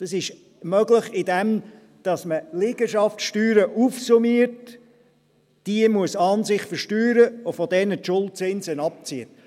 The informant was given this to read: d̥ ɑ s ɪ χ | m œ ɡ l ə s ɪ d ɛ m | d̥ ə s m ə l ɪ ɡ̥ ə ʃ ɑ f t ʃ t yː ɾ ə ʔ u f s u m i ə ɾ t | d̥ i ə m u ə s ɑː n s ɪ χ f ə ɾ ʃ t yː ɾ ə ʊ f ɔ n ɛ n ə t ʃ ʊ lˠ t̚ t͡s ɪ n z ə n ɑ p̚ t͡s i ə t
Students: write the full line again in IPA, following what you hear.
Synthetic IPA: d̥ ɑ s ɪ ʃ | m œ ɡ l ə χ ɪ d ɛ m | d̥ ɑ s m ə l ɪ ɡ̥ ə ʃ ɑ f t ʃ t yː ɾ ə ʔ u f s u m i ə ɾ t | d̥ i ə m u ə s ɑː n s ɪ χ f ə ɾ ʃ t yː ɾ ə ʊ f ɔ d ɛ n ə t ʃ ʊ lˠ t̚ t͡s ɪ n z ə n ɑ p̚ t͡s i ə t